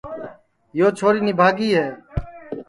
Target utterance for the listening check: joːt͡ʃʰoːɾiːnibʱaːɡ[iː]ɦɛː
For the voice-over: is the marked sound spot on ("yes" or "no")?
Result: yes